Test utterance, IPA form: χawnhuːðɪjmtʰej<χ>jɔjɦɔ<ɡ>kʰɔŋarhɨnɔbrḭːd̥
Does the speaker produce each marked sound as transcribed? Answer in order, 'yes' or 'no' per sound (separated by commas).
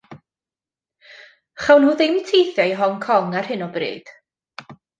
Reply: no, no